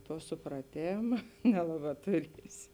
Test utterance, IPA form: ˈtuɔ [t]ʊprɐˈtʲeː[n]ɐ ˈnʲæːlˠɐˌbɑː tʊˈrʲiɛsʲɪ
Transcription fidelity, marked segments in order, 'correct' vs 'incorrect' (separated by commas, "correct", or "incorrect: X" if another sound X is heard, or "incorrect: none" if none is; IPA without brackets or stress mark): incorrect: s, incorrect: m